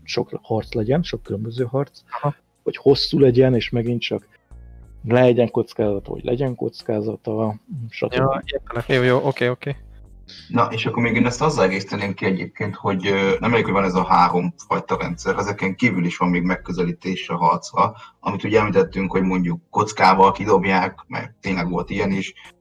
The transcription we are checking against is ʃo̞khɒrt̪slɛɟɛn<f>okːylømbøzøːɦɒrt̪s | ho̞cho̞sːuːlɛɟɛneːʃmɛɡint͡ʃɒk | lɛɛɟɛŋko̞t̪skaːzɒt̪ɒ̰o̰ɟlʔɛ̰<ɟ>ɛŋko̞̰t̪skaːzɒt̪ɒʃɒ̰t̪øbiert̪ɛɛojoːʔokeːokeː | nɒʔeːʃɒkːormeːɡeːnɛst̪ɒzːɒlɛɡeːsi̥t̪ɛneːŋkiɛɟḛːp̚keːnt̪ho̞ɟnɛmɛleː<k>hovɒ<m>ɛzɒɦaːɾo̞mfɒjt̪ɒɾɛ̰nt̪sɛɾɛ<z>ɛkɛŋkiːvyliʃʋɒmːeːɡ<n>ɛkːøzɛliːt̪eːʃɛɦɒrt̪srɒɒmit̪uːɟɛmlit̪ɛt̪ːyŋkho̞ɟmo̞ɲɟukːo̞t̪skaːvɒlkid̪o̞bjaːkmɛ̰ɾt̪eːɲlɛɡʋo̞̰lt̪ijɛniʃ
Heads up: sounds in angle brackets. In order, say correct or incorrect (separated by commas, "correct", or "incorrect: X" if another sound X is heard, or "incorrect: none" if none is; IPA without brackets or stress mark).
incorrect: ʃ, correct, correct, incorrect: n, correct, incorrect: m